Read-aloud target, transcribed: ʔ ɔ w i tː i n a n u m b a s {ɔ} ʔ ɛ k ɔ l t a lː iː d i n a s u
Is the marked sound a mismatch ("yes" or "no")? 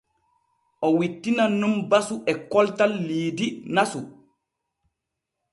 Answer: yes